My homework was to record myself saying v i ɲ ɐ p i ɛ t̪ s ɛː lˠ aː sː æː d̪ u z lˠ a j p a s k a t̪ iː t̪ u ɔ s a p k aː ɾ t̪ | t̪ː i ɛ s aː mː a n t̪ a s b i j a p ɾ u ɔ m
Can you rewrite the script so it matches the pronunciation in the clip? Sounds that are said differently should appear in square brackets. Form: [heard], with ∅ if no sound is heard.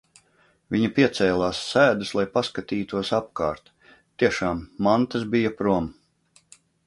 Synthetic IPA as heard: v i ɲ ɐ p i ɛ t̪ s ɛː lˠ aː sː æː d̪ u [s] lˠ a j p a s k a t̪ iː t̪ u ɔ s a p k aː ɾ t̪ | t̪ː i ɛ [ʃ] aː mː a n t̪ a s b i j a p ɾ u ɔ m